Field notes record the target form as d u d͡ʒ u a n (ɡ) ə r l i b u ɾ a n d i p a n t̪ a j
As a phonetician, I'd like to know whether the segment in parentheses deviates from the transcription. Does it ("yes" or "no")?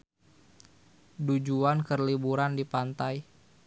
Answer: yes